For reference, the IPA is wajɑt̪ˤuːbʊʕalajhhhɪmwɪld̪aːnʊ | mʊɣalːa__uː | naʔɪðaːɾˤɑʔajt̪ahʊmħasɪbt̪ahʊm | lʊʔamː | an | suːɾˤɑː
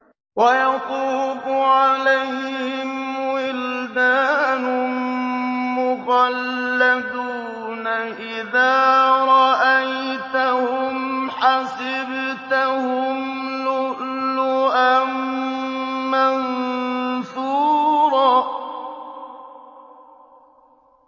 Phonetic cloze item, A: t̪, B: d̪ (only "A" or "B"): B